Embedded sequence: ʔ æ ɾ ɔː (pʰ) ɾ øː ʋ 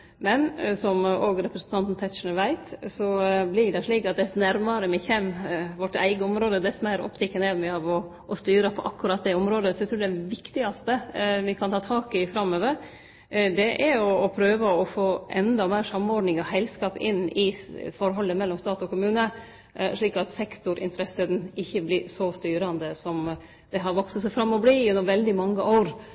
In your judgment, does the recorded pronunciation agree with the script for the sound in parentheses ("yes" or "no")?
yes